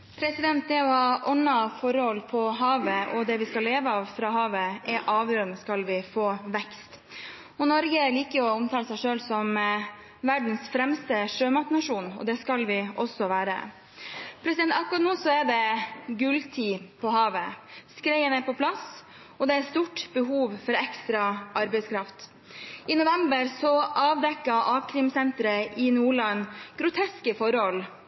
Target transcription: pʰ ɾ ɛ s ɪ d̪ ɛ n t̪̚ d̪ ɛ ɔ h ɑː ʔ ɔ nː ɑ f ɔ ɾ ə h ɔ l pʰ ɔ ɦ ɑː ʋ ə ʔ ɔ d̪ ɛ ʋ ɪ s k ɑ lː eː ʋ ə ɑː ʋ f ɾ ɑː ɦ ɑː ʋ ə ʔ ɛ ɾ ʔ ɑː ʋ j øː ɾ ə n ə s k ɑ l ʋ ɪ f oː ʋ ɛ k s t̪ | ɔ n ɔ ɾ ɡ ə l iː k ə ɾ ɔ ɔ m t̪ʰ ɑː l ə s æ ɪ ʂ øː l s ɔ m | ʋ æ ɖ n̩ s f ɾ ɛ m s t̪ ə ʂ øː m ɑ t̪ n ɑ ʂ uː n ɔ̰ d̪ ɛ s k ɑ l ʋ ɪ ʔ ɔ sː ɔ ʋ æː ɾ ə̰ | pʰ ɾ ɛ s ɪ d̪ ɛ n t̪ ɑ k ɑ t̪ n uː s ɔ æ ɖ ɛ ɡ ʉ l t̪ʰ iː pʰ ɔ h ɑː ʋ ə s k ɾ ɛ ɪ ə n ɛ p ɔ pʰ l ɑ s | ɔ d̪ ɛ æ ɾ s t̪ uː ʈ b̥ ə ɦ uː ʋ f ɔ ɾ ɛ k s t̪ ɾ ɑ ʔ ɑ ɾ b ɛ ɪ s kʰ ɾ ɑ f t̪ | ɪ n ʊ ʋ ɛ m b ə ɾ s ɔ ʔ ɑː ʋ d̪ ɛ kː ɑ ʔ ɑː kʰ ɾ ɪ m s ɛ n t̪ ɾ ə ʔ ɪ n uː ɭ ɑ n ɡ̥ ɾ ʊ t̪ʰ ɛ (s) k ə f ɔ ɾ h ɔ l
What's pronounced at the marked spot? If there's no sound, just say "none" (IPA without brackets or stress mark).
s